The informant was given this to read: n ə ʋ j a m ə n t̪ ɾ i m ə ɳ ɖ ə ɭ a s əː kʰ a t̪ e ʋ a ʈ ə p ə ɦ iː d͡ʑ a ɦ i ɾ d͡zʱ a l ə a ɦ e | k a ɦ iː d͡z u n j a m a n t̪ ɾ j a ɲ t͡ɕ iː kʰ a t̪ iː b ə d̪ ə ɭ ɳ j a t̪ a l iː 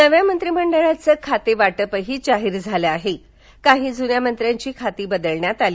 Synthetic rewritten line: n ə ʋ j a m ə n t̪ ɾ i m ə ɳ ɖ ə ɭ a t͡s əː kʰ a t̪ e ʋ a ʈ ə p ə ɦ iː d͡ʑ a ɦ i ɾ d͡zʱ a l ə a ɦ e | k a ɦ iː d͡z u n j a m ə n t̪ ɾ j a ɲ t͡ɕ iː kʰ a t̪ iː b ə d̪ ə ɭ ɳ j a t̪ a l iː